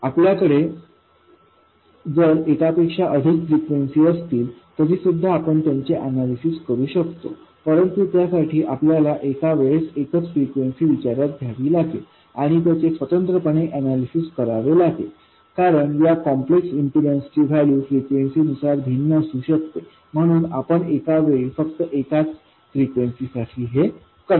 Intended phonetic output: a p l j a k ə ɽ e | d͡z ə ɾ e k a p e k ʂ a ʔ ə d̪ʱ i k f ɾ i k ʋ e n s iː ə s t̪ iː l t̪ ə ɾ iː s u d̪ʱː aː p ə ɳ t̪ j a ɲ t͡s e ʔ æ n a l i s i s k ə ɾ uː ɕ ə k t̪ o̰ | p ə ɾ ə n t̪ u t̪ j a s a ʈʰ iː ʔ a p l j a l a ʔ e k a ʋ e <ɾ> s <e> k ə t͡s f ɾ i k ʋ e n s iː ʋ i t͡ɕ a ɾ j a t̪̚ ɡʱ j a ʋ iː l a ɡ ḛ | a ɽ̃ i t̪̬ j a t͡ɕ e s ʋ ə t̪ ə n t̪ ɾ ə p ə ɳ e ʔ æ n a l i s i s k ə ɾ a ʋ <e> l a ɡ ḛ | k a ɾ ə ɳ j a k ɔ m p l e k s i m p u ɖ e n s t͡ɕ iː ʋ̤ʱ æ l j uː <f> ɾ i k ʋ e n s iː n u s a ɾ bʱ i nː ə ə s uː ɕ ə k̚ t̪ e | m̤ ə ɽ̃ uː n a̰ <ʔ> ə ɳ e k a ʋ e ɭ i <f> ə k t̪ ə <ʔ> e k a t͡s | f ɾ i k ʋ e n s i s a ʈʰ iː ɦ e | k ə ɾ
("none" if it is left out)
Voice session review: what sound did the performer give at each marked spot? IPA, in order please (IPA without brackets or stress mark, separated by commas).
ɭ, e, e, f, p, f, ʔ